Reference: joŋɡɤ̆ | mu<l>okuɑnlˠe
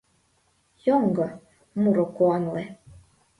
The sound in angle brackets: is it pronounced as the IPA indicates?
no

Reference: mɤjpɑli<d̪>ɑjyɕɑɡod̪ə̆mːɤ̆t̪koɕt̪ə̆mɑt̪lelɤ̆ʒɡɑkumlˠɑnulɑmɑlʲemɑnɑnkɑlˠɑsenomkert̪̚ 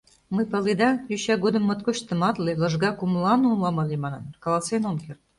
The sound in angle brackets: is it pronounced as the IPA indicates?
yes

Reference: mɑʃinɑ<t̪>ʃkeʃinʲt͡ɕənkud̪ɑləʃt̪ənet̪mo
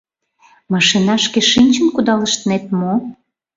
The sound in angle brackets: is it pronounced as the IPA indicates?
no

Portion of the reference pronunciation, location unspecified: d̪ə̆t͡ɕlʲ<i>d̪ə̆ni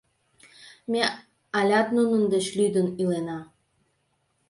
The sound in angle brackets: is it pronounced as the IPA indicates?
no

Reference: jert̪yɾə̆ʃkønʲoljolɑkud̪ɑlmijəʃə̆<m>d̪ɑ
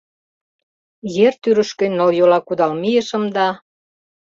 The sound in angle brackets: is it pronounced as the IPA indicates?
yes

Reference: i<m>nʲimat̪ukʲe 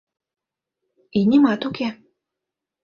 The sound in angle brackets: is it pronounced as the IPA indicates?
no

